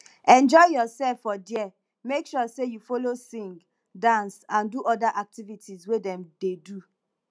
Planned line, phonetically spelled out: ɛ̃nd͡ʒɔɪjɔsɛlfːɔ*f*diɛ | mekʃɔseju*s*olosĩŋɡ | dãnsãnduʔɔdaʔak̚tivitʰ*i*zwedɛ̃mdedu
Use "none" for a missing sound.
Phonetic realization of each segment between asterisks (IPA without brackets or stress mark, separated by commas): none, f, i